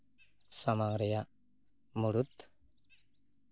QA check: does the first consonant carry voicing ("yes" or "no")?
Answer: no